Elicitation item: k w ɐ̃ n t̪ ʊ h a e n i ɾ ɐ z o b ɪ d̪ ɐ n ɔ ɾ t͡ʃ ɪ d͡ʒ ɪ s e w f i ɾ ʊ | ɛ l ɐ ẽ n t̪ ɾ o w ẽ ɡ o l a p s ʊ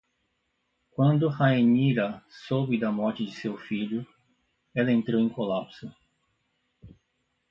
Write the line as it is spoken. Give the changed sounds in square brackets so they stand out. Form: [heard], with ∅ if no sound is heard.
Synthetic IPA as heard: k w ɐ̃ n [d̪] ʊ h a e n i ɾ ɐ [s] o b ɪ d̪ ɐ [m] ɔ ɾ t͡ʃ ɪ d͡ʒ ɪ s e w f i [ʎ] ʊ | ɛ l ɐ ẽ n t̪ ɾ o w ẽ [k] o l a p s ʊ